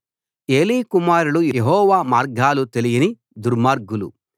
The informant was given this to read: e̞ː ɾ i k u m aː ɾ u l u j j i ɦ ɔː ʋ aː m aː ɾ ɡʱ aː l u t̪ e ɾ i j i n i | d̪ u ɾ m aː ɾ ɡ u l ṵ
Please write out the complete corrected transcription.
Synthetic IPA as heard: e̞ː l i k u m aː ɾ u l u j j e ɦ ɔː ʋ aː m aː ɾ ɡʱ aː l u t̪ e l i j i n i | d̪ u ɾ m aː ɾ ɡ u l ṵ